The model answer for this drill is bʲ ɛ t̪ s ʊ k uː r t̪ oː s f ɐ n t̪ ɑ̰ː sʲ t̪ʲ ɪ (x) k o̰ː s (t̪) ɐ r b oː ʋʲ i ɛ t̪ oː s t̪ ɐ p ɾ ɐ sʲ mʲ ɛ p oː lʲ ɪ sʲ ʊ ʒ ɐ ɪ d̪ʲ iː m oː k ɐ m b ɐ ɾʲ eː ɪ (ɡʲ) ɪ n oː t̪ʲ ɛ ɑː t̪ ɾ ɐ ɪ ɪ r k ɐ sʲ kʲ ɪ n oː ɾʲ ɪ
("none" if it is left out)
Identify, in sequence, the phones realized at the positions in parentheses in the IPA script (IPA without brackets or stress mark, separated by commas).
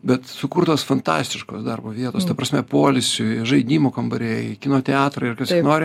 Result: ʃ, d̪, kʲ